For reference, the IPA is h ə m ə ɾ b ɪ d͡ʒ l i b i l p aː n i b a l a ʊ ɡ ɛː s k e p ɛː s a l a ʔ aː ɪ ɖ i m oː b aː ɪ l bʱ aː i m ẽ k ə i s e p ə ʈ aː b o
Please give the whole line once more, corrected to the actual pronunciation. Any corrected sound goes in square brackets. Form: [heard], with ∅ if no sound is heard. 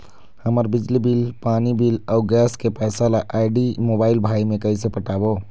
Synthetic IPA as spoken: h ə m ə ɾ b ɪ d͡ʒ l i b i l p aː n i b [i] l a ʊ ɡ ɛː s k e p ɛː s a l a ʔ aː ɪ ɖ i m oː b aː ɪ l bʱ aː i m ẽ k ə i s e p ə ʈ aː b o